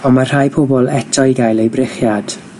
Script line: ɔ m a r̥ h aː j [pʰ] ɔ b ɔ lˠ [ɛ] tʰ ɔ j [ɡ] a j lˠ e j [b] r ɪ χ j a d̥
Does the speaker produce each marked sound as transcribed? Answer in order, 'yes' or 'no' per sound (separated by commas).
yes, yes, yes, yes